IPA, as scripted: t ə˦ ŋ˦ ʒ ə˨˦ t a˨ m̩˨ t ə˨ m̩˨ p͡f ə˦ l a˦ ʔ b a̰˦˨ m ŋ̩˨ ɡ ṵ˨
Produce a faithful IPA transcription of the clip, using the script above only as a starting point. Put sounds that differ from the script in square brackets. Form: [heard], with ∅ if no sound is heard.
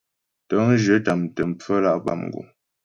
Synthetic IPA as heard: t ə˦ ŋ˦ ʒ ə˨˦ t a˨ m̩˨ t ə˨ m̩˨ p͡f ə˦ l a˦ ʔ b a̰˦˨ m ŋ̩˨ ɡ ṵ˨